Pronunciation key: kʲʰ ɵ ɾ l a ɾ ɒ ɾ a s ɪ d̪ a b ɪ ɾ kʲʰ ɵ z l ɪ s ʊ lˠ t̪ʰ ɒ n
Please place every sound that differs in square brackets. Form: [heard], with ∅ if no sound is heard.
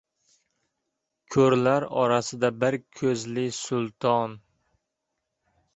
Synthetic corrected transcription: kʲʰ ɵ ɾ l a ɾ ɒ ɾ a s ɪ d̪ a b ɪ ɾ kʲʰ ɵ z l ɪ s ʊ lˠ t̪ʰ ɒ n